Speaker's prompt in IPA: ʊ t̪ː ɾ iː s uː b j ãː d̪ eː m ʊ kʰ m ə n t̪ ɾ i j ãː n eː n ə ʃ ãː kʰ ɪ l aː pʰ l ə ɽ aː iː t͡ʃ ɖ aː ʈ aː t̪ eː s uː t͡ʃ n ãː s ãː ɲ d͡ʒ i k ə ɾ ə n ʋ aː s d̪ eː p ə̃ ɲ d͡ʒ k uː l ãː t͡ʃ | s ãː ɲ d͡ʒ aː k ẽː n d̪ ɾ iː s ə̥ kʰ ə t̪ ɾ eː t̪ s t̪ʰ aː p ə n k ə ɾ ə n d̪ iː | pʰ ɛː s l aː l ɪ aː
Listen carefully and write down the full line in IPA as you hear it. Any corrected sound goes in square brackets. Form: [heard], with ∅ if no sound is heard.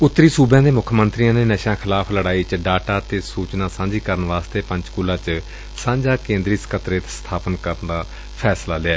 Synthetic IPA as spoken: ʊ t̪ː ɾ iː s uː b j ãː d̪ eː m ʊ kʰ m ə n t̪ ɾ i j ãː n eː n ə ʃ ãː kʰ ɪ l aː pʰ l ə ɽ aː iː t͡ʃ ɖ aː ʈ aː t̪ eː s uː t͡ʃ n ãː s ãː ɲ d͡ʒ [iː] k ə ɾ ə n ʋ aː s [t̪] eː p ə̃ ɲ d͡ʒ k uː l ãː t͡ʃ | s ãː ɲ d͡ʒ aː k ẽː n d̪ ɾ iː s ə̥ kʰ ə t̪ ɾ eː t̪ s t̪ʰ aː p ə n k ə ɾ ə n d̪ [aː] | pʰ ɛː s l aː l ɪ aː

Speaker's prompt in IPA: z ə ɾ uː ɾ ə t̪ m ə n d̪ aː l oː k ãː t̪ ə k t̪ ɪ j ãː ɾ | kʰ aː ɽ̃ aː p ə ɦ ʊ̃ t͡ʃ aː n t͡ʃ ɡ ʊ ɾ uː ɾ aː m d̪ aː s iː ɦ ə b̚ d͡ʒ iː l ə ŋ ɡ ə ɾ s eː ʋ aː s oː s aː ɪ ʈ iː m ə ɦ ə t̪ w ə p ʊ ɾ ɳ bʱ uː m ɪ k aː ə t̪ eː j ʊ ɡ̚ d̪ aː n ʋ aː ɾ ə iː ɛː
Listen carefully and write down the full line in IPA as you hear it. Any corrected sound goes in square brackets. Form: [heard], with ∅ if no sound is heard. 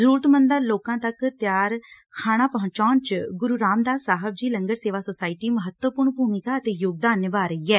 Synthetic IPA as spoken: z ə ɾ uː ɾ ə t̪ m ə n d̪ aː l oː k ãː t̪ ə k t̪ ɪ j [aː] ɾ | kʰ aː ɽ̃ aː p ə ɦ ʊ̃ t͡ʃ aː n t͡ʃ ɡ ʊ ɾ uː ɾ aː m d̪ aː s [aː] ɦ ə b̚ d͡ʒ iː l ə ŋ ɡ ə ɾ s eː ʋ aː s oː s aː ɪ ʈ iː m ə ɦ ə t̪ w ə p ʊ ɾ ɳ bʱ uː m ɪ k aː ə t̪ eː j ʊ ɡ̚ d̪ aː n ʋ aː ɾ ə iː ɛː

